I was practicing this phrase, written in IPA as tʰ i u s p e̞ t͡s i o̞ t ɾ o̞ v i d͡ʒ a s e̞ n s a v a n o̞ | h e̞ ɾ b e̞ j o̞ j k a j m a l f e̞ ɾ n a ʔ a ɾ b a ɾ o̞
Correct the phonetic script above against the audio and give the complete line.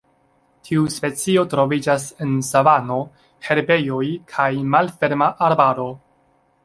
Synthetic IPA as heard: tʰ i u s p e̞ t͡s i o̞ t ɾ o̞ v i d͡ʒ a s e̞ n s a v a n o̞ | h e̞ ɾ b e̞ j o̞ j kʰ a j m a l f e̞ ɾ m a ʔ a ɾ b a ɾ o̞